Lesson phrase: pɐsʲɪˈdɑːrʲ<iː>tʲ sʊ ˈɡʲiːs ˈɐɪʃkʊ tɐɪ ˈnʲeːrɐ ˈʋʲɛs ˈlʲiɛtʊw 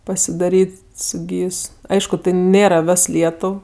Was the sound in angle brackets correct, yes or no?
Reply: yes